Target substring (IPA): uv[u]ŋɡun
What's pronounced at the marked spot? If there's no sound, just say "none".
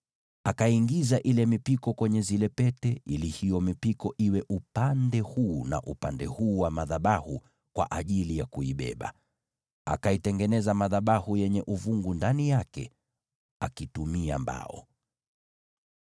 u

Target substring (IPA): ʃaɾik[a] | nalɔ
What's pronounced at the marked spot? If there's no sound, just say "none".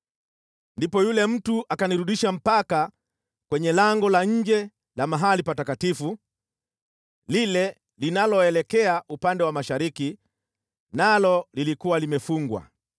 i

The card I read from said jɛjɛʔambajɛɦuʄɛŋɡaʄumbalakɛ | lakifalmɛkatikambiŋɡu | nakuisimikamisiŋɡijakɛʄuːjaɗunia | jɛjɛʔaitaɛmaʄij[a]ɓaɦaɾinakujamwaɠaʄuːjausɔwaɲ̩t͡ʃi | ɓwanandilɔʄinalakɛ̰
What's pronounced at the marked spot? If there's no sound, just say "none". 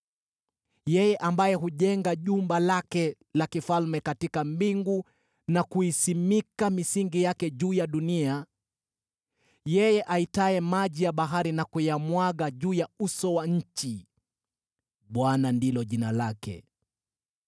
a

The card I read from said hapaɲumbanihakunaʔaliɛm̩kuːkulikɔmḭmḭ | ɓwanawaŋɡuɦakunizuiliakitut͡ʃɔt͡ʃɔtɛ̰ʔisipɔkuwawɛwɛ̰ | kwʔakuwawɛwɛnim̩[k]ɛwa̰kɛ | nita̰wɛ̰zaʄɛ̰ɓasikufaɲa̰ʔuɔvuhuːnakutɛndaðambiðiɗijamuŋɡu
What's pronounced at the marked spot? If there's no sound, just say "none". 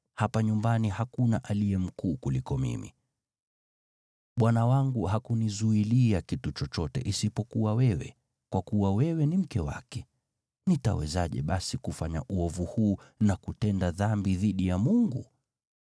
k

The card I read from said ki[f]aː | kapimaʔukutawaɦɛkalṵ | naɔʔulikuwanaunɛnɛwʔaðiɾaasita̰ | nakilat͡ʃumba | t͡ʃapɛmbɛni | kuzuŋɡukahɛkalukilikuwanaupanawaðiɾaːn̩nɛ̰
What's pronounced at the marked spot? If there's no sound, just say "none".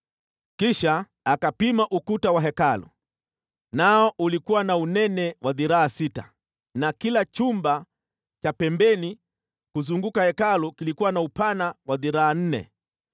ʃ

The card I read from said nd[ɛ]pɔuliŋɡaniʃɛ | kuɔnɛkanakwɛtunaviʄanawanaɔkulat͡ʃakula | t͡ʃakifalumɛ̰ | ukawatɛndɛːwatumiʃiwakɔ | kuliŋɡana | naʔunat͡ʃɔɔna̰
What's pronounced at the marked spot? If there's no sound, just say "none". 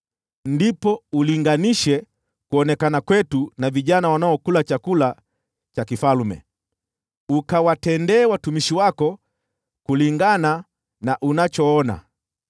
i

